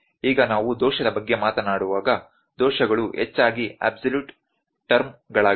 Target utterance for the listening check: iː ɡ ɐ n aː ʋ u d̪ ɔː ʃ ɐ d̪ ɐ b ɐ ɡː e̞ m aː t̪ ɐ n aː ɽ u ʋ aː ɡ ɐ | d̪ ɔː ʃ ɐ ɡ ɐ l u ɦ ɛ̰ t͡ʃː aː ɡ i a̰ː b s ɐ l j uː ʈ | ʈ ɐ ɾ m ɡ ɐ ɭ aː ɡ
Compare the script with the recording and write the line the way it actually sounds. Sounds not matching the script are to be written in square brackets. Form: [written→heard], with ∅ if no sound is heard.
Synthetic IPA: iː ɡ ɐ n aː ʋ u d̪ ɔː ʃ ɐ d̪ ɐ b ɐ ɡː e̞ m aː t̪ ɐ n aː ɽ u ʋ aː ɡ ɐ | d̪ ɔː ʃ ɐ ɡ ɐ [l→ɭ] u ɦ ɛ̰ t͡ʃː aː ɡ i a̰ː b s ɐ l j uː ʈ | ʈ ɐ ɾ m ɡ ɐ ɭ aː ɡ